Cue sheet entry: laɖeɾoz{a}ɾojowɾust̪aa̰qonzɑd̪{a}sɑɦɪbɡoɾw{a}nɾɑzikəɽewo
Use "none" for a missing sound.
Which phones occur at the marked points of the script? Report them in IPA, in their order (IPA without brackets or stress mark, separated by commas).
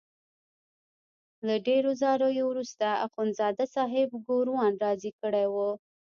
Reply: ɑ, a, ɑ